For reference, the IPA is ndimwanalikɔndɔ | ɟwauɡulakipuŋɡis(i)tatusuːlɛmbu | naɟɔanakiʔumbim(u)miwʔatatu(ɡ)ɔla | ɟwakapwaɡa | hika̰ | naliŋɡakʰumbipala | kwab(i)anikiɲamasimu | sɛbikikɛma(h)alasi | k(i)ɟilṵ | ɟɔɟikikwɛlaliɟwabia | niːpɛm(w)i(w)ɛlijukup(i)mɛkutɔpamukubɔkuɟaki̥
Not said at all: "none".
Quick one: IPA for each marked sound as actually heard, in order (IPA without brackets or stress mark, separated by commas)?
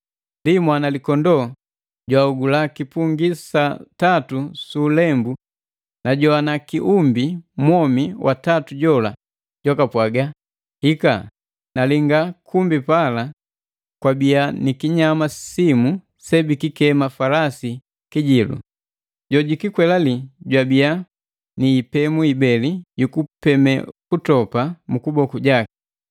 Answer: a, ɔ, ɟ, i, f, i, u, b, ɛ